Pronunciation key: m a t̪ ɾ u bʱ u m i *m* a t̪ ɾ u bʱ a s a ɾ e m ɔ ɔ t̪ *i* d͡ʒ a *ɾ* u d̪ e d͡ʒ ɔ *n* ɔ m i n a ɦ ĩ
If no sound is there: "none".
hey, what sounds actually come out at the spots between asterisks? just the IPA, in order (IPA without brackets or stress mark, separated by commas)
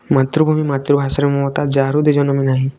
m, a, ɾ, n